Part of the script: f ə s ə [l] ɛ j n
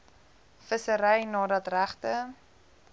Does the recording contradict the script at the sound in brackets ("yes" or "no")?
yes